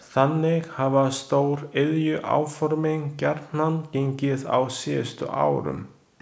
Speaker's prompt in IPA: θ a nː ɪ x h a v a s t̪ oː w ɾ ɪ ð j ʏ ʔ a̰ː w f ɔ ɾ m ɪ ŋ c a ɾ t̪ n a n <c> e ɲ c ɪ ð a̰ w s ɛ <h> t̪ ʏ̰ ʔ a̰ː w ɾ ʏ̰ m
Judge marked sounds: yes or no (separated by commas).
yes, no